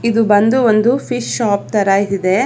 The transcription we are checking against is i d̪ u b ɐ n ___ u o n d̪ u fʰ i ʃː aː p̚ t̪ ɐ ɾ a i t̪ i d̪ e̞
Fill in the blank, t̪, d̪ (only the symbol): d̪